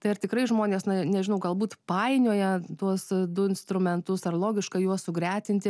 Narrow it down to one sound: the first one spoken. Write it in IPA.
t̪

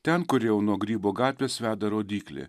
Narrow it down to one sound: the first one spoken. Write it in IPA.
t̪ʲ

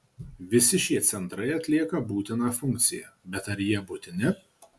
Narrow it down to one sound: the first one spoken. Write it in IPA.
ʋʲ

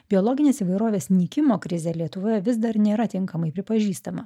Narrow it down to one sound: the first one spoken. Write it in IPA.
bʲ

